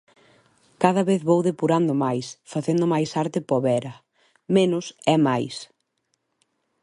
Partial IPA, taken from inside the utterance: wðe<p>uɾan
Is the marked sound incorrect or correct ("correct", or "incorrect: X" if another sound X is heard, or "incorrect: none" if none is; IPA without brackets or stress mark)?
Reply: correct